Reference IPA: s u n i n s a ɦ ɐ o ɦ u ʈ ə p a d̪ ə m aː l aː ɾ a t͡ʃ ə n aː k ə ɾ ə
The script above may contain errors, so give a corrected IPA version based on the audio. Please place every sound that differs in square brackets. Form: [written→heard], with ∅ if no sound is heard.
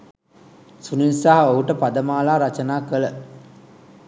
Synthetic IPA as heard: s u n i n s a ɦ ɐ o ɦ u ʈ ə p a d̪ ə m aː l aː ɾ a t͡ʃ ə n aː k ə [ɾ→l] ə